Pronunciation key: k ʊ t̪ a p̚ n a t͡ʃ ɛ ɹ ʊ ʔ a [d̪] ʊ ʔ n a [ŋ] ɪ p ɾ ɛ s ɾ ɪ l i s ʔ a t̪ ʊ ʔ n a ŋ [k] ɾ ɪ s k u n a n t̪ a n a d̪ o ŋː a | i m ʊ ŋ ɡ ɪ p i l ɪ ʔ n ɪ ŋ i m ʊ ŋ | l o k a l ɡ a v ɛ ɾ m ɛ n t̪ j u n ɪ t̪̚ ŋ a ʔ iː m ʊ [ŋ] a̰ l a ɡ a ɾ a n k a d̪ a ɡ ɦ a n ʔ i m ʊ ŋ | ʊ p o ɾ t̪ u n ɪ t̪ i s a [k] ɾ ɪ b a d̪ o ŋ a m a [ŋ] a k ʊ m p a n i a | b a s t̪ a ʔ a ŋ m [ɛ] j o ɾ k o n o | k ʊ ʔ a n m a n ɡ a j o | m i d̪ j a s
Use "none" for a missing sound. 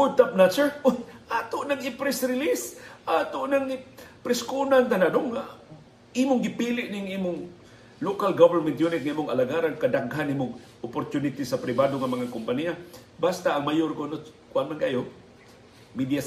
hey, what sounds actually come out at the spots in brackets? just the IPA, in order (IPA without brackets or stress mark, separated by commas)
t̪, ŋ, p, ŋ, p, ŋ, a